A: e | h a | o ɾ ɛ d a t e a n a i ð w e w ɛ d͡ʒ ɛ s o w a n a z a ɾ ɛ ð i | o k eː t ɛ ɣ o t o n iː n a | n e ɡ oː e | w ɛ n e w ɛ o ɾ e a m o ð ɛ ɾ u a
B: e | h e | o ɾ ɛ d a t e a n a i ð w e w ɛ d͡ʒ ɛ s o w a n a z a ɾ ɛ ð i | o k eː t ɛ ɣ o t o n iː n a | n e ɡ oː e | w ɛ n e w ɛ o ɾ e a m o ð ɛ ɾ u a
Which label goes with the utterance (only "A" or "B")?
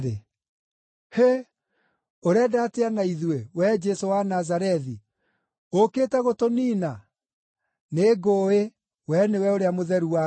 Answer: B